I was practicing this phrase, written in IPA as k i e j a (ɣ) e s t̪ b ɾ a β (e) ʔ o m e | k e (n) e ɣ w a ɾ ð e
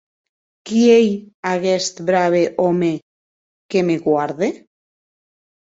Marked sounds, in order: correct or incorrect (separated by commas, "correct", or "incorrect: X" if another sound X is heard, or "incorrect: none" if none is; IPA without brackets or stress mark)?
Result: correct, correct, incorrect: m